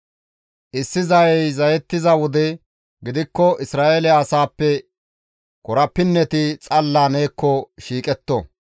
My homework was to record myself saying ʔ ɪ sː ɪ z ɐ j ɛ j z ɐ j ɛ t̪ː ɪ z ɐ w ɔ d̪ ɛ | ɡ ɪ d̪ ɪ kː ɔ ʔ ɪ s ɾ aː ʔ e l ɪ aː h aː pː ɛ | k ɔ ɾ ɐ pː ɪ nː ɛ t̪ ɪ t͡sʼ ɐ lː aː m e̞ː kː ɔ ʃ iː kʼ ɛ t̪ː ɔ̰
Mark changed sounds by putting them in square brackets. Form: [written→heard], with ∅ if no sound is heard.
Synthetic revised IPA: ʔ ɪ sː ɪ z ɐ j ɛ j z ɐ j ɛ t̪ː ɪ z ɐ w ɔ d̪ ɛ | ɡ ɪ d̪ ɪ kː ɔ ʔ ɪ s ɾ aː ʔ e l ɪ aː [h→s] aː pː ɛ | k ɔ ɾ ɐ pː ɪ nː ɛ t̪ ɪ t͡sʼ ɐ lː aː [m→n] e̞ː kː ɔ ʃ iː kʼ ɛ t̪ː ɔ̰